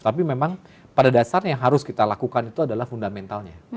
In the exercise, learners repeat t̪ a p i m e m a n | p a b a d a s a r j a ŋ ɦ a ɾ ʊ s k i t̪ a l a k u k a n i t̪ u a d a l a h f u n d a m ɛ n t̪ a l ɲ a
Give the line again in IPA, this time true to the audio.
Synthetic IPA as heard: t̪ a p i m e m a ŋ | p a d a d a s a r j a ŋ ɦ a ɾ ʊ s k i t̪ a l a k u k a n i t̪ u a d a l a h f u n d a m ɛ n t̪ a l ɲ a